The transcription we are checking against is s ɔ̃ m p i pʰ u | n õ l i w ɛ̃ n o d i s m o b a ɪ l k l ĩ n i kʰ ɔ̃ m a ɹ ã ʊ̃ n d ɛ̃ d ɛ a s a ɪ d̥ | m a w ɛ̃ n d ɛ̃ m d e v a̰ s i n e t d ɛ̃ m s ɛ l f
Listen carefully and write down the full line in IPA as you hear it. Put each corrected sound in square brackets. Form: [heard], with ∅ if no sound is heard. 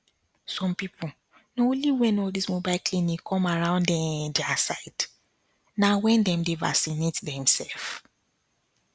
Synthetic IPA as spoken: s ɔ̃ m p i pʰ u | n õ l i w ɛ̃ n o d i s m o b a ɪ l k l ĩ n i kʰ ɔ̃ m a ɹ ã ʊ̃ n d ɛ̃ d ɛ a s a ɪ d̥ | [n] a w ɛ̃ n d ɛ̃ m d e v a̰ s i n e t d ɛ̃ m s ɛ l f